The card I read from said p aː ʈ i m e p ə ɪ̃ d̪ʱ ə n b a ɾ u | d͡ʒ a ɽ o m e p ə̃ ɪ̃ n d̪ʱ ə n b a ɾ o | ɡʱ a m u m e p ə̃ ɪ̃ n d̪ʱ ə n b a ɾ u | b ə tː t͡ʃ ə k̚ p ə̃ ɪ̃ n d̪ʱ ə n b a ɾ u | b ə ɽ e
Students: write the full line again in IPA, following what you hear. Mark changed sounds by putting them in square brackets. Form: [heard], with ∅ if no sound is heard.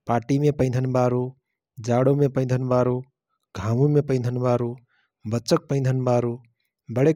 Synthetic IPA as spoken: p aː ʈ i m e p ə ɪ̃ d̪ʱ ə n b a ɾ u | d͡ʒ a ɽ o m e p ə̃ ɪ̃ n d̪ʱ ə n b a ɾ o | ɡʱ a m u m e p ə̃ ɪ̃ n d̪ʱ ə n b a ɾ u | b ə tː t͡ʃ ə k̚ p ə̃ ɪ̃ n d̪ʱ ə n b a ɾ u | b ə ɽ e